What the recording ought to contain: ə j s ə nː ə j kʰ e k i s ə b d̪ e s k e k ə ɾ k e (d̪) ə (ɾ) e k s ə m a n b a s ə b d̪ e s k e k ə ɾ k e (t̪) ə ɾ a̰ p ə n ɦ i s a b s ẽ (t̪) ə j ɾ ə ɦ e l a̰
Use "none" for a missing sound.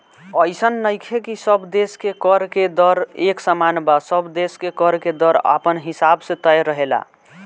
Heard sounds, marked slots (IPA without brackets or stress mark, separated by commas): d̪, ɾ, d̪, t̪